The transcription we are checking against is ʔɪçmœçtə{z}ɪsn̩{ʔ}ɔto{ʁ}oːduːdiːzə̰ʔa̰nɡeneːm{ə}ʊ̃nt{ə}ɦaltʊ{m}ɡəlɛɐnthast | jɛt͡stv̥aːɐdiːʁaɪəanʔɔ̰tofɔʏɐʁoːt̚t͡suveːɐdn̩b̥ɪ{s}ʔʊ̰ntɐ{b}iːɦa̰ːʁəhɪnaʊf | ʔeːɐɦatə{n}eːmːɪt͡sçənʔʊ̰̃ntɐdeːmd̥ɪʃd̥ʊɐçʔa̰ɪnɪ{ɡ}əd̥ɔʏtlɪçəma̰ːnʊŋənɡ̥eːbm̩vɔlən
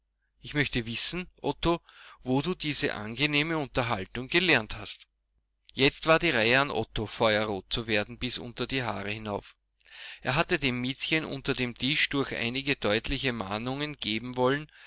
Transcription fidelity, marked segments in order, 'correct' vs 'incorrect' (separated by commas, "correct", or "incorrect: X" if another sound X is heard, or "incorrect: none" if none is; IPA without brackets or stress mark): incorrect: v, correct, incorrect: v, correct, incorrect: ɐ, incorrect: ŋ, correct, incorrect: d, incorrect: d, correct